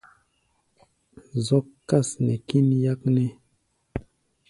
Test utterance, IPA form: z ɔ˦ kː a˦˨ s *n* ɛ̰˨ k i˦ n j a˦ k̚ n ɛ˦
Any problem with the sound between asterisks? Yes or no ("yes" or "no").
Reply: no